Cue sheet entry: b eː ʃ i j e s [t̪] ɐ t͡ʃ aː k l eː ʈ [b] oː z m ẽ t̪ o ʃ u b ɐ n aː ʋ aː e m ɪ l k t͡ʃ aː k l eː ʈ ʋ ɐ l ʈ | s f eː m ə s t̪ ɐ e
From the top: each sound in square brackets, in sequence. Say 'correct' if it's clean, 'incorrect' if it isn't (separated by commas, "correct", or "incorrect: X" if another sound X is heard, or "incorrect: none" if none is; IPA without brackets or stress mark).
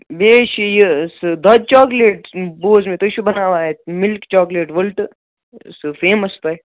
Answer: incorrect: d̪, correct